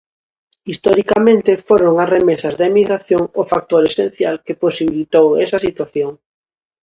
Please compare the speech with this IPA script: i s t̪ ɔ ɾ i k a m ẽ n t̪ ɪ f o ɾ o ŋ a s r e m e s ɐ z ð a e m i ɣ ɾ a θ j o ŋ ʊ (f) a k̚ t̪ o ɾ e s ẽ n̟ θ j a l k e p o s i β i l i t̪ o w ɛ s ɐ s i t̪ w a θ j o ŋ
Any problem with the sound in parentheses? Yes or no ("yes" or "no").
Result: no